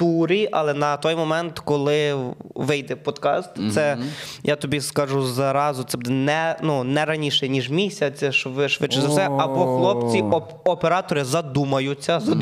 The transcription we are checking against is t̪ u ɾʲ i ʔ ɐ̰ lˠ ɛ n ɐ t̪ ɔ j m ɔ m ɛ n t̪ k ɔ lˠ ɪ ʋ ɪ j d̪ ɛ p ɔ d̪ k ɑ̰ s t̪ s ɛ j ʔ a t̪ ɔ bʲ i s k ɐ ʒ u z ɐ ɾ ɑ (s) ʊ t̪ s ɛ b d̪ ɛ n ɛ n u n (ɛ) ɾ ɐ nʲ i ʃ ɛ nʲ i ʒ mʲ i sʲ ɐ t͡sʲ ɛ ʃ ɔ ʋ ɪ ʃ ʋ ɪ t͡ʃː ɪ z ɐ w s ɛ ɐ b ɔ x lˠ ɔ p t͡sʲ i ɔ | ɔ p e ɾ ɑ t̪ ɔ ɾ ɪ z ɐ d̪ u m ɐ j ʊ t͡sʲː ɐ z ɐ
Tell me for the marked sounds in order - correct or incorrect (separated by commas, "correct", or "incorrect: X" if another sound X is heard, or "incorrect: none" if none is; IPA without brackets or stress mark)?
incorrect: z, correct